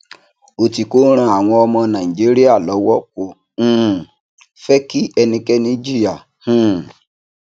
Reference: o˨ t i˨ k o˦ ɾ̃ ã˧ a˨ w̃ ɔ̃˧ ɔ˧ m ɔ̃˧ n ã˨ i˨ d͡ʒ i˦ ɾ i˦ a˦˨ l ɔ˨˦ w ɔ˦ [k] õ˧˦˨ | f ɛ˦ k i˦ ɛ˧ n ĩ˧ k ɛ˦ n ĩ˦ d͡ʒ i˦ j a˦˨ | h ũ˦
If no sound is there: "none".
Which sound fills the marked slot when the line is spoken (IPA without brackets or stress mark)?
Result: k